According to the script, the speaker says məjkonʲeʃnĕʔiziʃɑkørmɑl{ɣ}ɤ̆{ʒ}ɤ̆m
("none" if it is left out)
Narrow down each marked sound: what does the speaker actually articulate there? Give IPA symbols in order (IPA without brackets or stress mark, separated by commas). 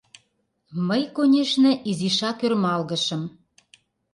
ɣ, ʃ